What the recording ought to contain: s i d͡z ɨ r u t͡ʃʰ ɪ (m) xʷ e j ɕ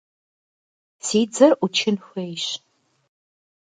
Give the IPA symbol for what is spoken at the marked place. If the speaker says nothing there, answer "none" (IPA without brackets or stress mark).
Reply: n